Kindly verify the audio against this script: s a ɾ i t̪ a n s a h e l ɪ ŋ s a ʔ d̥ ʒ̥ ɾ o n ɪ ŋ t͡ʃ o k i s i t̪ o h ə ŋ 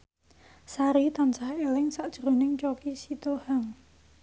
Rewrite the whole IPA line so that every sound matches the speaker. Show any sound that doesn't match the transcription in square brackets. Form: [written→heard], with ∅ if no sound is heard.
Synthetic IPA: s a ɾ i t̪ a n s a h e l ɪ ŋ s a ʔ d̥ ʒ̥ ɾ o n ɪ ŋ t͡ʃ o k i s i t̪ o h [ə→a] ŋ